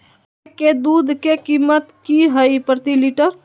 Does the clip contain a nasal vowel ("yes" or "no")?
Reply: no